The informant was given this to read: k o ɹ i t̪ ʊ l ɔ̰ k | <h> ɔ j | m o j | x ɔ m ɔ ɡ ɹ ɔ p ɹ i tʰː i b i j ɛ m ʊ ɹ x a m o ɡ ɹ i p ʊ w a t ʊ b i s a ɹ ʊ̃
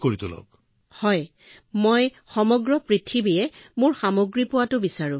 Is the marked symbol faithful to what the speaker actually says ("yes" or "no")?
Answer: yes